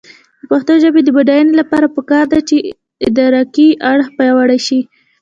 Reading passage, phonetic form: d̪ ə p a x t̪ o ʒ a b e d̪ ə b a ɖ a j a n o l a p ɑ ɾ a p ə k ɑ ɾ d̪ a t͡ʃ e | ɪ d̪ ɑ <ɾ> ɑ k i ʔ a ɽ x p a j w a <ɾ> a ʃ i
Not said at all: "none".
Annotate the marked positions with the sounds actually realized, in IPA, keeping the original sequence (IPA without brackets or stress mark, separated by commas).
ɾ, ɽ